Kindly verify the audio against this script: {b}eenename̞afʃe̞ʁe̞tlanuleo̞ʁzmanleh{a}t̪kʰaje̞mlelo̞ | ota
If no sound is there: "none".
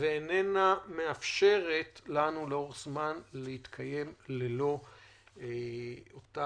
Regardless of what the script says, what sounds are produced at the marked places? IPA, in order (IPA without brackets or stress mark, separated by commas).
v, i